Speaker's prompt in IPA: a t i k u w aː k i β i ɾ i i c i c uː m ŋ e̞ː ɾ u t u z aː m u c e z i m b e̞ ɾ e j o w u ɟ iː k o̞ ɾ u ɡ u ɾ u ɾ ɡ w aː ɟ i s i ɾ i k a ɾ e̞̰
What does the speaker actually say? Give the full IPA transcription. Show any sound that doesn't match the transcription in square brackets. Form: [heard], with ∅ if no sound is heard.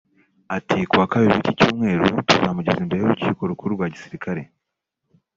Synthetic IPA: a t i k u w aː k [a] β i ɾ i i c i c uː m ŋ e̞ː ɾ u t u z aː m u [ɟ] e z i m b e̞ ɾ e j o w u [c] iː k o̞ ɾ u [k] u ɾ u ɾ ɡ w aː ɟ i s i ɾ i k a ɾ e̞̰